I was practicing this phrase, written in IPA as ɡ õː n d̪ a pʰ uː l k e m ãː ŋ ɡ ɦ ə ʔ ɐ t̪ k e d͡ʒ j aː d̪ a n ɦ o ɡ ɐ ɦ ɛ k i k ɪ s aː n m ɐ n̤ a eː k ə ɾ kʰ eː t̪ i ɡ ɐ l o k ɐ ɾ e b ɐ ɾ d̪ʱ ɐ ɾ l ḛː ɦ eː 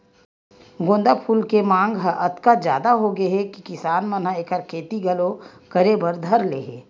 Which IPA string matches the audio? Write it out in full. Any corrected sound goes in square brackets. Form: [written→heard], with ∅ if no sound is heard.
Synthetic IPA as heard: ɡ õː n d̪ a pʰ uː l k e m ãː ŋ ɡ ɦ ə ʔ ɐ t̪ k [e→a] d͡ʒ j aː d̪ a [n→∅] ɦ o ɡ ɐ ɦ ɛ k i k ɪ s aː n m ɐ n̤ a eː k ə ɾ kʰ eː t̪ i ɡ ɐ l o k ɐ ɾ e b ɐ ɾ d̪ʱ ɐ ɾ l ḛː ɦ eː